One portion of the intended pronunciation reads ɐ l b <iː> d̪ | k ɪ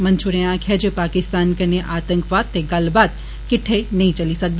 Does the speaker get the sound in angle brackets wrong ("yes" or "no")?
yes